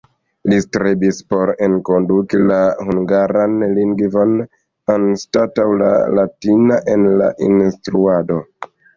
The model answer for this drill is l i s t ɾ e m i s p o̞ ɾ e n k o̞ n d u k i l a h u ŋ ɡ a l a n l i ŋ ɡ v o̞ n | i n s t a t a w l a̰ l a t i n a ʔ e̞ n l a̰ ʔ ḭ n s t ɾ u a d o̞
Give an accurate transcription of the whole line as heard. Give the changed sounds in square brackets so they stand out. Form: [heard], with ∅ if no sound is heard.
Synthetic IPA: l i s t ɾ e [b] i s p o̞ ɾ e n k o̞ n d u k i l a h u ŋ ɡ a [ɾ] a n l i ŋ ɡ v o̞ n | [a] n s t a t a w l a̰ l a t i n a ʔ e̞ n l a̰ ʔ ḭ n s t ɾ u a d o̞

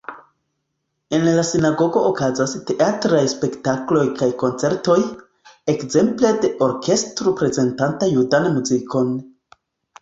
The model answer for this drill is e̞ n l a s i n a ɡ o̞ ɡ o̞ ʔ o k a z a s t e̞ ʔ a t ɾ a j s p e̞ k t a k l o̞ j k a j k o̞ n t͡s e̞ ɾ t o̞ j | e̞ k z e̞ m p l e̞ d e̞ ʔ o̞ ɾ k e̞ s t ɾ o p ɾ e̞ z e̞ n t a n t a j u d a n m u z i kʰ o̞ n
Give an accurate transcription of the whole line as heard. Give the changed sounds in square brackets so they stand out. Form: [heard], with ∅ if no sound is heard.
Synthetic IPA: e̞ n l a s i n a ɡ o̞ ɡ o̞ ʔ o k a z a s t e̞ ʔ a t ɾ a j s p e̞ k t a k l o̞ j k a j k o̞ n t͡s e̞ ɾ t o̞ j | e̞ k z e̞ m p l e̞ d e̞ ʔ o̞ ɾ k e̞ s t ɾ o p ɾ e̞ z e̞ n t a n t a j u d a n m u z i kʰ o̞ n

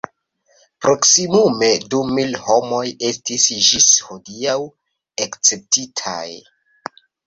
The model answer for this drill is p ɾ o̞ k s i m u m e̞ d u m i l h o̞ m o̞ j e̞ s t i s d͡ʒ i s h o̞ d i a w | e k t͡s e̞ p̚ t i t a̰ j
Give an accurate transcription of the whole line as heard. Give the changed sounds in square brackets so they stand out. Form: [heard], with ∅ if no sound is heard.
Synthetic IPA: p ɾ o̞ k s i m u m e̞ d u m i l h o̞ m o̞ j e̞ s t i s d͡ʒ i s h o̞ d i a w | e k t͡s e̞ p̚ t i [tʰ] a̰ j

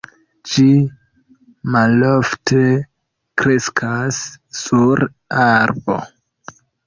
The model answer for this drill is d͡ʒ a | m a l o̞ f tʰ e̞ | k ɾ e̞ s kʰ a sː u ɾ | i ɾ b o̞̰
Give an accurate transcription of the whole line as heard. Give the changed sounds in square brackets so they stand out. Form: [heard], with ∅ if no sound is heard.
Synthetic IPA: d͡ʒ [i] | m a l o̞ f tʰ e̞ | k ɾ e̞ s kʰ a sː u ɾ | [a] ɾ b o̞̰

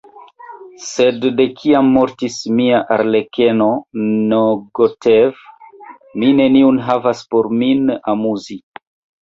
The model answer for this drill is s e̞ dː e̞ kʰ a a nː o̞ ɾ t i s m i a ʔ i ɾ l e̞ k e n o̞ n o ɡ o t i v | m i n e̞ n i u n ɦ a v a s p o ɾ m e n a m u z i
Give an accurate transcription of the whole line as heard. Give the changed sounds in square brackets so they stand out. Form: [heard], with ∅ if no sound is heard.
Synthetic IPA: s e̞ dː e̞ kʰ [i] a [mː] o̞ ɾ t i s m i a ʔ [a] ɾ l e̞ k e n o̞ n o ɡ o t [e] v | m i n e̞ n i u n ɦ a v a s p o ɾ m [i] n a m u z i

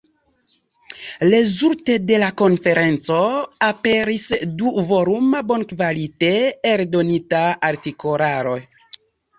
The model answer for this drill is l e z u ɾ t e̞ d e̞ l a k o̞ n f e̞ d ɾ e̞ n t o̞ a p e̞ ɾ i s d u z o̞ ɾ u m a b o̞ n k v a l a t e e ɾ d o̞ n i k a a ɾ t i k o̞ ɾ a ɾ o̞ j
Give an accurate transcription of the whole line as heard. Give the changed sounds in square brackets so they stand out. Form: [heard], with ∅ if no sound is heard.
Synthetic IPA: l e z u ɾ t e̞ d e̞ l a k o̞ n f e̞ [∅] ɾ e̞ n [t͡s] o̞ a p e̞ ɾ i s d u [v] o̞ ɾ u m a b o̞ n k v a l [i] t e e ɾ d o̞ n i [t] a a ɾ t i k o̞ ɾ a ɾ o̞ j

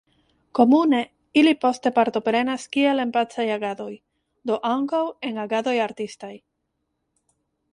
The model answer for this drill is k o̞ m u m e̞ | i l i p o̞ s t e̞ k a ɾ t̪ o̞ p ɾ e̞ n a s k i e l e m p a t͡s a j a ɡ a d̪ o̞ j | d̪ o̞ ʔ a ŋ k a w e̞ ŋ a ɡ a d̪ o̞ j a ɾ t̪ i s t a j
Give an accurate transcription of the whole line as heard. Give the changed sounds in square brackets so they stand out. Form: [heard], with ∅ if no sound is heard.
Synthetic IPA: k o̞ m u [n] e̞ | i l i p o̞ s t e̞ [p] a ɾ t̪ o̞ p ɾ e̞ n a s k i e l e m p a t͡s a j a ɡ a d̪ o̞ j | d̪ o̞ ʔ a ŋ k a w e̞ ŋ a ɡ a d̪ o̞ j a ɾ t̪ i s t a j

